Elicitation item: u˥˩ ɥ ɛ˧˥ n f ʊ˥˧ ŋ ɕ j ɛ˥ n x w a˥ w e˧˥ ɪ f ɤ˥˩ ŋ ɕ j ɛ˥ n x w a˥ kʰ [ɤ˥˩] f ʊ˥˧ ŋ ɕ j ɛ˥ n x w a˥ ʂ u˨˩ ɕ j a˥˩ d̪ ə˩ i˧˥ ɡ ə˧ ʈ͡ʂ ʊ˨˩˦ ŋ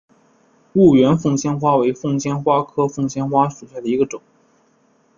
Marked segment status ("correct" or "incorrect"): incorrect